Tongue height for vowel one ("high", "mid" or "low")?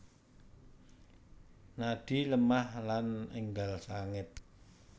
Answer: low